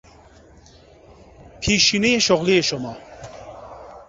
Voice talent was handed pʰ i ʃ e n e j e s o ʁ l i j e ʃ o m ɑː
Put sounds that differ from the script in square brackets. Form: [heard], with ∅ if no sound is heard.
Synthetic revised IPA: pʰ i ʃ [i] n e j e [ʃ] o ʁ l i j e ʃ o m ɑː